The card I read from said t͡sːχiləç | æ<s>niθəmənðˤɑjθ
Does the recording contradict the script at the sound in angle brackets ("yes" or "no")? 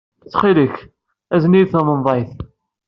yes